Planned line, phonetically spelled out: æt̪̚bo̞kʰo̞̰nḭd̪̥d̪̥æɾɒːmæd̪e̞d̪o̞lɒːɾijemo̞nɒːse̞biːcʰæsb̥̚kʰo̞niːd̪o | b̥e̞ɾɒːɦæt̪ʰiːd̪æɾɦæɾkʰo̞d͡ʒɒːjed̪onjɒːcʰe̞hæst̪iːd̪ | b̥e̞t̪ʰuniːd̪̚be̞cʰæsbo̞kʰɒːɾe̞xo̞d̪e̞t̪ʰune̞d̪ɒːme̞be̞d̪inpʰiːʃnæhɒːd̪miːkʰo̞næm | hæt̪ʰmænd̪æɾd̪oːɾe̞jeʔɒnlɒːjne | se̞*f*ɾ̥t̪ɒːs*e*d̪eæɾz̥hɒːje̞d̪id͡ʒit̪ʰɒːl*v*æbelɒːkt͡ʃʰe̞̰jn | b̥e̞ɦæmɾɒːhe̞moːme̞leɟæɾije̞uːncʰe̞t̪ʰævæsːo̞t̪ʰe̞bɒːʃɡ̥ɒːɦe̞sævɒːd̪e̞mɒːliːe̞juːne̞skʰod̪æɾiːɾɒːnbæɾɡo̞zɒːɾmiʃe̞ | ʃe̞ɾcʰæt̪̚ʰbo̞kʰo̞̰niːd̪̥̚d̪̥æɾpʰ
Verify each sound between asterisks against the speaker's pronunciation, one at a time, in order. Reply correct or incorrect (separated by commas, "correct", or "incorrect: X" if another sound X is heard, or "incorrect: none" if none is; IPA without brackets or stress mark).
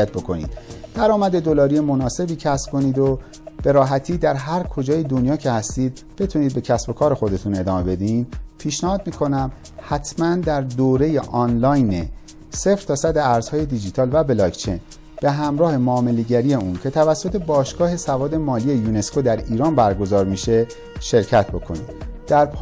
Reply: correct, incorrect: æ, correct